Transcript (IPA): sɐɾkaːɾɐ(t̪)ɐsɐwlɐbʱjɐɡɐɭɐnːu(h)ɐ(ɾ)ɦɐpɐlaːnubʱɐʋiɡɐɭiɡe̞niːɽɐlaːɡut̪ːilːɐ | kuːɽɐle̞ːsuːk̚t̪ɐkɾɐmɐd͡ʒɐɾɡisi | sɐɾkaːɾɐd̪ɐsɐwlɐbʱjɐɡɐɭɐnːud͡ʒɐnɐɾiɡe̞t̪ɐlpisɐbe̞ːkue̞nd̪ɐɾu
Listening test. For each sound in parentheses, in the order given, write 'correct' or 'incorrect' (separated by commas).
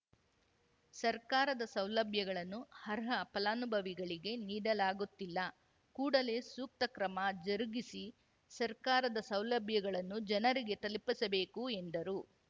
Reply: incorrect, correct, correct